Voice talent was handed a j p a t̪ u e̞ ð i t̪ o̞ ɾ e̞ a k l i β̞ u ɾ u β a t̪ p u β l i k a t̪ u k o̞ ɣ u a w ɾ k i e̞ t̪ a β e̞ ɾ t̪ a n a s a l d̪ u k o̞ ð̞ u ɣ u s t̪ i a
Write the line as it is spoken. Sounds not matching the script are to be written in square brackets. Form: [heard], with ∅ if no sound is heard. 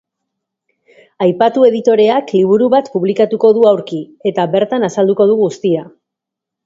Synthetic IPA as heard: a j p a t̪ u e̞ ð i t̪ o̞ ɾ e̞ a k l i β̞ u ɾ u β a t̪ p u β l i k a t̪ u k o̞ [ð] u a w ɾ k i e̞ t̪ a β e̞ ɾ t̪ a n a s a l d̪ u k o̞ ð̞ u ɣ u s t̪ i a